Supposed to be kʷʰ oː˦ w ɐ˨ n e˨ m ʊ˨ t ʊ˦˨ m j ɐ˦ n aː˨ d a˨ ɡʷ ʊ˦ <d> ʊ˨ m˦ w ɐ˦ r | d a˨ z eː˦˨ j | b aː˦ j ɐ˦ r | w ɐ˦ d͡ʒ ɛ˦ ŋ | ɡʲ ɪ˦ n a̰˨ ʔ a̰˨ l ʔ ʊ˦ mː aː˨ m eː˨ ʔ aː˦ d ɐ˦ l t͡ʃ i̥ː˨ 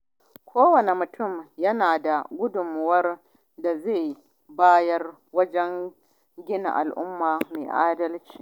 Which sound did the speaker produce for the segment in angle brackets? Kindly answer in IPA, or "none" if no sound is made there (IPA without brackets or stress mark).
d